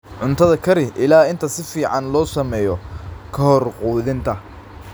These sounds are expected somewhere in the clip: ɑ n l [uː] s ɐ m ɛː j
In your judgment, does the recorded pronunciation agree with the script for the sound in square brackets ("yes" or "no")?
no